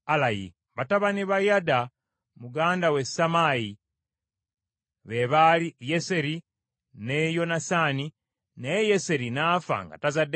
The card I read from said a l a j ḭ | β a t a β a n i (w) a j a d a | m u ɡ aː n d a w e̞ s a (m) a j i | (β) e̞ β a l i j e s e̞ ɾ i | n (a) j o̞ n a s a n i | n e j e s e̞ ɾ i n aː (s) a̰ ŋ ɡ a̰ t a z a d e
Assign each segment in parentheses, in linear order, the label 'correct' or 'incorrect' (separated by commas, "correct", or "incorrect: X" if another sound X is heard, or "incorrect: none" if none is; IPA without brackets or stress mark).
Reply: incorrect: β, correct, correct, incorrect: e, incorrect: f